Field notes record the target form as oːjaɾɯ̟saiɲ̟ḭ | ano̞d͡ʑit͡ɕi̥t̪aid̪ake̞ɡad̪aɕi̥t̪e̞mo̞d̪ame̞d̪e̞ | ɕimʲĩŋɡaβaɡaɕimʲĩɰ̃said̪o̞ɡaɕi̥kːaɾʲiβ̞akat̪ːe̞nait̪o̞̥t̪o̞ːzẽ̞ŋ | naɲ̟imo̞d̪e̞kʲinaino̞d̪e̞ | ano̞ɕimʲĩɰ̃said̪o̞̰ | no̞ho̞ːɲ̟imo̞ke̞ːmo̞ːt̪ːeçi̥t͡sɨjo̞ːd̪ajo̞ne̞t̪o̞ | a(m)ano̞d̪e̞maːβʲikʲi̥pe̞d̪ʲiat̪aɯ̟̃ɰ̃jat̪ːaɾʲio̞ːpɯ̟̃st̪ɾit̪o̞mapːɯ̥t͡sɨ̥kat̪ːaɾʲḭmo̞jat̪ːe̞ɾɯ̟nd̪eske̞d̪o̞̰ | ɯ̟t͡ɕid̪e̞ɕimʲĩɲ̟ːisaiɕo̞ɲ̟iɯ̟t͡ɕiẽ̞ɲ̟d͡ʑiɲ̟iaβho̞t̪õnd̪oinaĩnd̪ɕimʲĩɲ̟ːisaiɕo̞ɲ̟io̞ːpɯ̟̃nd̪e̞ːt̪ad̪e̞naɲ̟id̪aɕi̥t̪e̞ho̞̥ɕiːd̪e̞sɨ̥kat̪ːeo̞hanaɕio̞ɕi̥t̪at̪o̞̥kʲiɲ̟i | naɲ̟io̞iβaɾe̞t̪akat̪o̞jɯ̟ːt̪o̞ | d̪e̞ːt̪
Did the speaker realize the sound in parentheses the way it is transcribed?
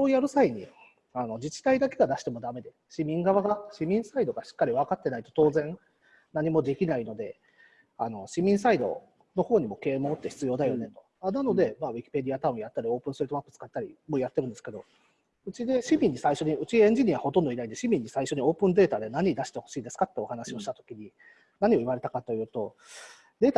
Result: no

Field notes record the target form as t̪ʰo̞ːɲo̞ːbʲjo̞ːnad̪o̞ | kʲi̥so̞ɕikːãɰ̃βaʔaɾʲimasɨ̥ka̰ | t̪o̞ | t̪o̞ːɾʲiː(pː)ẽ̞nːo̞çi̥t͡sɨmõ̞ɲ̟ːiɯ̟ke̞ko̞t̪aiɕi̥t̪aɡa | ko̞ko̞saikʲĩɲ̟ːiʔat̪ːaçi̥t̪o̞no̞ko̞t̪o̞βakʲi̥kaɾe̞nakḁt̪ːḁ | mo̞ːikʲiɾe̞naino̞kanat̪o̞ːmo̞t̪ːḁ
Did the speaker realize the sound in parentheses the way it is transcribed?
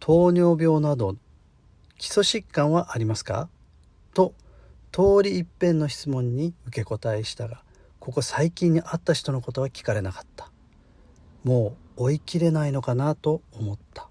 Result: yes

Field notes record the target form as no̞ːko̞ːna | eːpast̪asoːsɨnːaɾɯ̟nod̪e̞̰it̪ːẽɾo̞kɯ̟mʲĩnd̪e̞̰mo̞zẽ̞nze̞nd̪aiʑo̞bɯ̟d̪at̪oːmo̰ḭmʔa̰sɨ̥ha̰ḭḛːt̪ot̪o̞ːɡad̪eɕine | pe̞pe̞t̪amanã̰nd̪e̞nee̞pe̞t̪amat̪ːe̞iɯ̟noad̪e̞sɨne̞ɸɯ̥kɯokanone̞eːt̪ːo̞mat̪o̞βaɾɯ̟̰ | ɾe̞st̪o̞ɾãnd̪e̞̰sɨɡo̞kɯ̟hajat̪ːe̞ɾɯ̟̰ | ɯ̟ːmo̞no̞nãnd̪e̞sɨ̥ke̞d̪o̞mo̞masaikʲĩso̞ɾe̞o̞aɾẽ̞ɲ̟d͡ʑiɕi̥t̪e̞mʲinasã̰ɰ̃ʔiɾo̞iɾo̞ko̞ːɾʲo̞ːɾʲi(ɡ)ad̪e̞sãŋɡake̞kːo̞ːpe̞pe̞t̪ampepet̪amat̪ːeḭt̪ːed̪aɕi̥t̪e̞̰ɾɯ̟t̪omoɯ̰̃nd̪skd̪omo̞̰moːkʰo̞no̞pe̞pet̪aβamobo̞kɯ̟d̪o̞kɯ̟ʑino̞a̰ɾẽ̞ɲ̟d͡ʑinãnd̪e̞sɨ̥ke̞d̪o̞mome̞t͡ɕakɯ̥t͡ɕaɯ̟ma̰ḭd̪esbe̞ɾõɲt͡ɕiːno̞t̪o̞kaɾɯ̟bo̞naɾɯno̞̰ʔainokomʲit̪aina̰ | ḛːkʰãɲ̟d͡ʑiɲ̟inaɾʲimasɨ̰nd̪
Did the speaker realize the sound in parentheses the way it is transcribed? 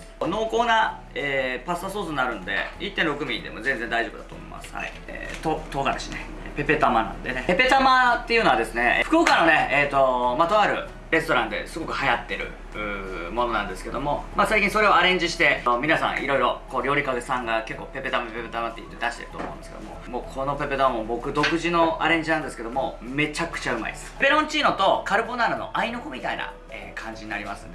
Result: no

